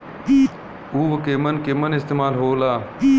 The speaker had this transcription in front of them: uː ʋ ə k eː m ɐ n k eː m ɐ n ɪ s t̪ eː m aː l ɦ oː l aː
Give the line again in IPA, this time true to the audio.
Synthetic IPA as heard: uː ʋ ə k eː m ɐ n k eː m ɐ n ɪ s t̪ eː m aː l ɦ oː l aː